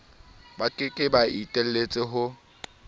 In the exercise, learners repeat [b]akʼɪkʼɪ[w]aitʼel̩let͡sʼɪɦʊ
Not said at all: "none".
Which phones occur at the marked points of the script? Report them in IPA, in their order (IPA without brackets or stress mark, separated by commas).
b, b